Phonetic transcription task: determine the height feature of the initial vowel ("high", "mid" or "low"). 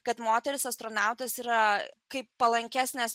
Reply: low